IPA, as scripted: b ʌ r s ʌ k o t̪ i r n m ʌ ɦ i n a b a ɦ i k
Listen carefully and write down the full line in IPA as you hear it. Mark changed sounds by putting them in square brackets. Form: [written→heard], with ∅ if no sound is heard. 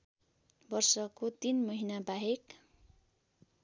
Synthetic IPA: b ʌ r s ʌ k o t̪ i [r→∅] n m ʌ ɦ i n a b a ɦ [i→e] k

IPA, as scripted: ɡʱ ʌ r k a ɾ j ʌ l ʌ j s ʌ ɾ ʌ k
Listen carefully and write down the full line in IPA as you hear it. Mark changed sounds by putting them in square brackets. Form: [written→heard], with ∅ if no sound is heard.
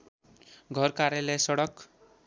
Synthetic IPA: ɡʱ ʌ r k a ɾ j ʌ l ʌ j s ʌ [ɾ→ɽ] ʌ k

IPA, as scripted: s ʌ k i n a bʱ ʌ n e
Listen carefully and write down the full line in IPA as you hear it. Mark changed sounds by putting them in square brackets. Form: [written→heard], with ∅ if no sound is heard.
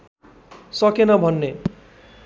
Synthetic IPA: s ʌ k [i→e] n [a→ʌ] bʱ ʌ [n→nː] e

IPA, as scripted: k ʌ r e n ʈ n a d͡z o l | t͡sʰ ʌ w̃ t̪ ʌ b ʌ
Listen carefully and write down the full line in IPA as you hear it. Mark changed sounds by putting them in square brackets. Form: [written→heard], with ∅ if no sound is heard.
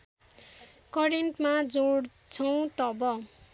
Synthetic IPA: k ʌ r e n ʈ [n→m] a d͡z o [l→ɽ] | t͡sʰ ʌ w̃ t̪ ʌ b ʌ

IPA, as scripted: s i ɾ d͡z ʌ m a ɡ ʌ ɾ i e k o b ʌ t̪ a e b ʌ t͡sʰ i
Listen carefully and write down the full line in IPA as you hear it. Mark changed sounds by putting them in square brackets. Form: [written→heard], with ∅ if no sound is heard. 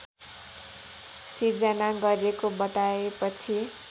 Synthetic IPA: s i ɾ d͡z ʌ [m→n] a ɡ ʌ ɾ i e k o b ʌ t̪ a e [b→p] ʌ t͡sʰ i

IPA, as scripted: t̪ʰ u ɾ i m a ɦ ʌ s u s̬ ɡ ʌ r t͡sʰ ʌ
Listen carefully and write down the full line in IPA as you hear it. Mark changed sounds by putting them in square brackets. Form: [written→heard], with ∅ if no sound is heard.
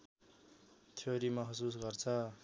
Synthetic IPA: t̪ʰ [u→o] ɾ i m [a→ʌ] ɦ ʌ s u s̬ ɡ ʌ r t͡sʰ ʌ

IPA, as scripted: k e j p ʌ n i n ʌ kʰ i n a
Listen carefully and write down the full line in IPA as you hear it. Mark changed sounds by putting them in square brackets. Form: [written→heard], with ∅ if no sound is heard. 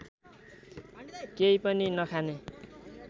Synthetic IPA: k e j p ʌ n i n ʌ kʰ [i→a] n [a→e]

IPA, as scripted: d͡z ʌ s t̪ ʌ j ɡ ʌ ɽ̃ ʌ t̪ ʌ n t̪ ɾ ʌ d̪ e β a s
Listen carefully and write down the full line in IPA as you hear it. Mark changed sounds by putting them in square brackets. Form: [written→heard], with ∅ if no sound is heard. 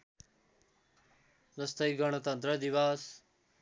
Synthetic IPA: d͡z ʌ s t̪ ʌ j ɡ ʌ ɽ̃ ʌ t̪ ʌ n t̪ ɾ ʌ d̪ [e→i] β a s

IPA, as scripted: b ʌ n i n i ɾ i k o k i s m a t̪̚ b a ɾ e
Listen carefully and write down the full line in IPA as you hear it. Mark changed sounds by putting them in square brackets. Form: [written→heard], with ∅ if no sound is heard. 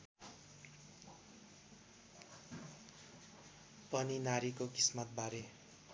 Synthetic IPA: [b→p] ʌ n i n [i→a] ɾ i k o k i s m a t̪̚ b a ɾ e

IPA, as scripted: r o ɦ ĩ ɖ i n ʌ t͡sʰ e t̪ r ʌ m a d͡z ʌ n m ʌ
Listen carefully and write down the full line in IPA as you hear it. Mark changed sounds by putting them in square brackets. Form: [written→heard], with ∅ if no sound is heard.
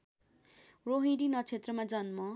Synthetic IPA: r o ɦ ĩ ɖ i n ʌ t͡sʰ e t̪ r ʌ m a d͡z ʌ n m ʌ

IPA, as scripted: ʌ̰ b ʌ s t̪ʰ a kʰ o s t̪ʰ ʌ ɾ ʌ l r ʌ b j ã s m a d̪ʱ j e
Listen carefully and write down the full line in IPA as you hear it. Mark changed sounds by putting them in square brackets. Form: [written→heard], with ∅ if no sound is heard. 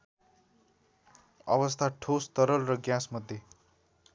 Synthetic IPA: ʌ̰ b ʌ s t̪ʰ a [kʰ→ʈʰ] o s [t̪ʰ→t̪] ʌ ɾ ʌ l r ʌ [b→ɡ] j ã s m [a→ʌ] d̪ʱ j e

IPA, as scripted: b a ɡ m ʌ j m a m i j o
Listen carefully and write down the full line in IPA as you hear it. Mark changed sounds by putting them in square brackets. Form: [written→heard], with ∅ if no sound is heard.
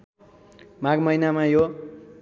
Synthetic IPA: [b→m] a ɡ m ʌ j [m→n] a m [i→a] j o

